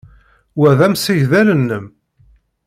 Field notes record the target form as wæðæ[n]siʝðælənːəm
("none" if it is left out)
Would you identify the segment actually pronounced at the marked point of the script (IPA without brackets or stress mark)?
m